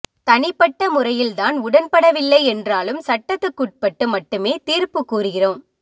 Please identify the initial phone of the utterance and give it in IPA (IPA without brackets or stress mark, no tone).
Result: t̪